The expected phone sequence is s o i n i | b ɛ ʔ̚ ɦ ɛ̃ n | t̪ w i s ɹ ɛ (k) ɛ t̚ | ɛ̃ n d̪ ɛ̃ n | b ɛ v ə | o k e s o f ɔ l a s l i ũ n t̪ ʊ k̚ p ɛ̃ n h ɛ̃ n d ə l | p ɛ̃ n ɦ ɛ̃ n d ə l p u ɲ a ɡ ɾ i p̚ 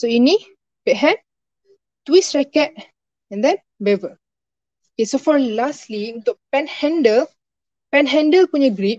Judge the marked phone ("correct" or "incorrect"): correct